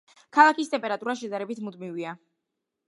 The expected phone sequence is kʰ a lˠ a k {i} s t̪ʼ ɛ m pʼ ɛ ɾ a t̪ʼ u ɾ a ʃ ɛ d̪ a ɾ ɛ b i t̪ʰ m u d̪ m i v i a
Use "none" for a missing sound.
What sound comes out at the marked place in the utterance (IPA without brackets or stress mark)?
i